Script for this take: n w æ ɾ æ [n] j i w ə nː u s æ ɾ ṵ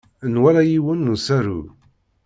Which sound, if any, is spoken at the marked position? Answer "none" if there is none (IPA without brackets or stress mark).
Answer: none